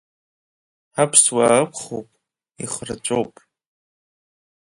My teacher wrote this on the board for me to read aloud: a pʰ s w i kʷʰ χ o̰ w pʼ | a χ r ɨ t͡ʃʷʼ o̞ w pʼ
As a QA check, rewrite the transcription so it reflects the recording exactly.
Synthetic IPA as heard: a pʰ s w a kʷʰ χ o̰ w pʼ | i χ r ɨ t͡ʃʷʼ o̞ w pʼ